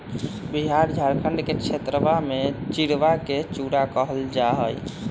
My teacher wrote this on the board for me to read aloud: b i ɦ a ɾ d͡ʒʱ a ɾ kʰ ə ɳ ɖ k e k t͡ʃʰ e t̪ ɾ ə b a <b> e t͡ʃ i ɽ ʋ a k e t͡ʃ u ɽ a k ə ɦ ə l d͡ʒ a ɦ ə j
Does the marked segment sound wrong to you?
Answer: yes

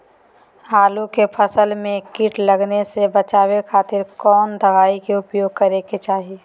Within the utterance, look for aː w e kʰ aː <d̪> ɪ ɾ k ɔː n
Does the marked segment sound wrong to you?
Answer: yes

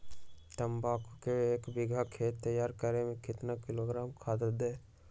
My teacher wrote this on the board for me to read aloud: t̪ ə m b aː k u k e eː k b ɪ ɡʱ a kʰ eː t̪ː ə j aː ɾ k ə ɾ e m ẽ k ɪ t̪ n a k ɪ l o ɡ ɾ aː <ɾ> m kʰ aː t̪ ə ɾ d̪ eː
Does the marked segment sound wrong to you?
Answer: yes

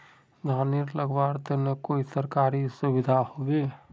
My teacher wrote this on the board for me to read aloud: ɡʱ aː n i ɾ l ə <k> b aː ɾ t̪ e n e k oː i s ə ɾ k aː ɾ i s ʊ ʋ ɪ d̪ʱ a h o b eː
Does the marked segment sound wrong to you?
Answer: yes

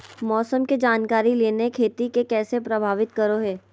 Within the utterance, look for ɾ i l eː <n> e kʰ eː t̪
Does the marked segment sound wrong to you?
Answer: no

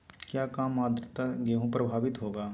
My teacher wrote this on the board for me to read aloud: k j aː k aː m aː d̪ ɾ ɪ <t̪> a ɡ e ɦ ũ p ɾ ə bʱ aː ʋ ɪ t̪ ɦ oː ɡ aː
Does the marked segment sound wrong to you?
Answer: no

